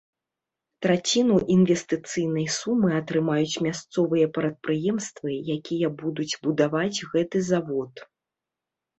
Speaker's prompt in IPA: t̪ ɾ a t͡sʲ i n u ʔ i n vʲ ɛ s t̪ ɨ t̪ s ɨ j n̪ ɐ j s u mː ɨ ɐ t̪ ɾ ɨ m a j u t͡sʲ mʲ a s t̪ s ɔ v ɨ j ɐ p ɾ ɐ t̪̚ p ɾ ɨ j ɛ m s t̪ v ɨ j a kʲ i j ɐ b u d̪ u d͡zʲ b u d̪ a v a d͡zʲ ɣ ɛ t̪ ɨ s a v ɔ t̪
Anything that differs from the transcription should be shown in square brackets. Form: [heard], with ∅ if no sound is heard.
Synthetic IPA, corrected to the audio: t̪ ɾ a t͡sʲ i n u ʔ i n vʲ ɛ s t̪ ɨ t̪ s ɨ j n̪ ɐ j s u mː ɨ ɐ t̪ ɾ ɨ m a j u t͡sʲ mʲ a s t̪ s ɔ v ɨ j ɐ p ɾ ɐ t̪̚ p ɾ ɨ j ɛ m s t̪ v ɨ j a kʲ i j ɐ b u d̪ u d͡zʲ b u d̪ a v a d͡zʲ ɣ ɛ t̪ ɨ [z] a v ɔ t̪